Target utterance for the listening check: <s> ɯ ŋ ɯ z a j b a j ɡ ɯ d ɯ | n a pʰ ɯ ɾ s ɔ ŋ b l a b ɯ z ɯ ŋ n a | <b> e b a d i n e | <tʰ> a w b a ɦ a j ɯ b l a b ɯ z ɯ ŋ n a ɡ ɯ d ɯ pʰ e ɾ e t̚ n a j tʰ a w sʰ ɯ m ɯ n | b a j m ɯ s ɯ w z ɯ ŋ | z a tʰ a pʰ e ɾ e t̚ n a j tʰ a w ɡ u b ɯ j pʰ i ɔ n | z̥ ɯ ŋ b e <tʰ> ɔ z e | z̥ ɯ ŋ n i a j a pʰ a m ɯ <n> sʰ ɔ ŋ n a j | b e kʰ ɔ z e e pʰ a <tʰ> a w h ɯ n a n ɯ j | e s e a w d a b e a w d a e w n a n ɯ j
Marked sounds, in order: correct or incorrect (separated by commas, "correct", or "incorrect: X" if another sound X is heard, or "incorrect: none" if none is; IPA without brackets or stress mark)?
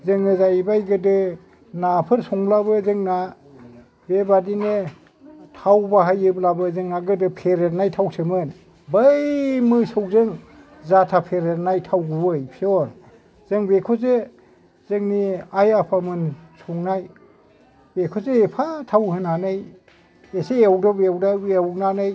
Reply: incorrect: z, correct, correct, incorrect: kʰ, correct, correct